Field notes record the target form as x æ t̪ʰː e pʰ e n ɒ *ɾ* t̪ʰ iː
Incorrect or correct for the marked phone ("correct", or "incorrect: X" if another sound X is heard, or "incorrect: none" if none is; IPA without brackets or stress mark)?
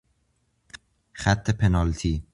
incorrect: l